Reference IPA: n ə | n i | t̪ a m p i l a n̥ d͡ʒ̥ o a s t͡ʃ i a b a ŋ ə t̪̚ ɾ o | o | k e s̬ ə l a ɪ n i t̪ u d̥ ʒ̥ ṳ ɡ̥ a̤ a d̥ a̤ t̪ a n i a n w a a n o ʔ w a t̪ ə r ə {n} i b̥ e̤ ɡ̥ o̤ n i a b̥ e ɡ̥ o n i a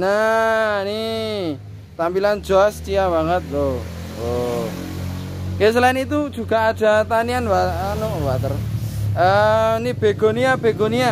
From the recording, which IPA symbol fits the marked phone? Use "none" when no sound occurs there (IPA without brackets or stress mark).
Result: n